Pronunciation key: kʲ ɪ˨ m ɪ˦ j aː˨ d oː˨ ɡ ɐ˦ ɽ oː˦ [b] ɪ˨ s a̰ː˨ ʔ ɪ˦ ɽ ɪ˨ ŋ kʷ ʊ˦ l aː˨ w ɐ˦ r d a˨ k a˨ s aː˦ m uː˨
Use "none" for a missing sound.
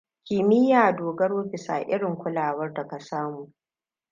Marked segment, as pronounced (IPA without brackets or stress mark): b